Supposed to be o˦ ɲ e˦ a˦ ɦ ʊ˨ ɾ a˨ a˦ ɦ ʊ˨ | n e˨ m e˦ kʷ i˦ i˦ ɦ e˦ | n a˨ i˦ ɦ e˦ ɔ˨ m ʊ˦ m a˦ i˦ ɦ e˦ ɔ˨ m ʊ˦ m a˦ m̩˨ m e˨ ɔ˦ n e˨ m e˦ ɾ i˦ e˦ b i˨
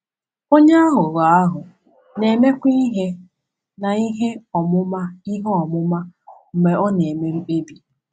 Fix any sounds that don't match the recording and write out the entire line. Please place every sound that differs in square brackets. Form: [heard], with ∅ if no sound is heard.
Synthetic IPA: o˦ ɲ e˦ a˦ ɦ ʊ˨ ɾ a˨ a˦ ɦ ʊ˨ | n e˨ m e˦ kʷ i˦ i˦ ɦ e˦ | n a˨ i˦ ɦ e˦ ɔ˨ m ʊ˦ m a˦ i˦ ɦ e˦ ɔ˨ m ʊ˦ m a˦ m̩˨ m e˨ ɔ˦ n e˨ m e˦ ɾ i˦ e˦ b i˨